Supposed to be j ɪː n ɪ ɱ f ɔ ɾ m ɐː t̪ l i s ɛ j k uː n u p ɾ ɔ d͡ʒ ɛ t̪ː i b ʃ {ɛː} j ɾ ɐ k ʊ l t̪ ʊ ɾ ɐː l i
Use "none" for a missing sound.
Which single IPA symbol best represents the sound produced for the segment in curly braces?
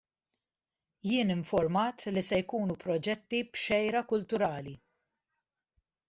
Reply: ɛ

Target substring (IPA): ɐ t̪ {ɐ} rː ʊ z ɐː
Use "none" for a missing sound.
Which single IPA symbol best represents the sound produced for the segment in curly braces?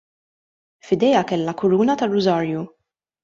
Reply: ɐ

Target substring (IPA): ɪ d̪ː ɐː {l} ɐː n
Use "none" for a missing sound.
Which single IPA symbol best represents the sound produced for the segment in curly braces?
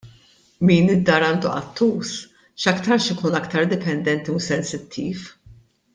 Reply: ɾ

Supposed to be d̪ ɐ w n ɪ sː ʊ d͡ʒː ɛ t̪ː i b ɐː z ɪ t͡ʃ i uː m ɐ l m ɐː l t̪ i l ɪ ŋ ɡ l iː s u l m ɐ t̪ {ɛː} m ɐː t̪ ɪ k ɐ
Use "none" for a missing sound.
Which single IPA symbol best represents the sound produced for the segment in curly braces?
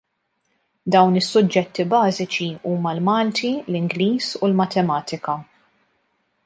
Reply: ɛ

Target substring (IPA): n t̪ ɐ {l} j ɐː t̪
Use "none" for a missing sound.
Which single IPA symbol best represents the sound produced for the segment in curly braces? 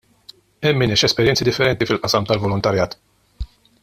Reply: ɾ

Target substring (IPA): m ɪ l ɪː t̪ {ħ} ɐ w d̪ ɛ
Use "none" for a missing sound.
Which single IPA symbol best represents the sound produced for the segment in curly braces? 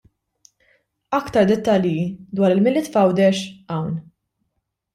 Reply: f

